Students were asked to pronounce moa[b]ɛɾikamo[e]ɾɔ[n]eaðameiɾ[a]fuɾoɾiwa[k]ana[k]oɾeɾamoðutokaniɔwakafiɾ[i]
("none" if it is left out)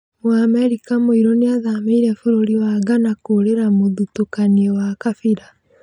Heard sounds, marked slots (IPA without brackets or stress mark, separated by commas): m, i, n, ɛ, ɡ, k, a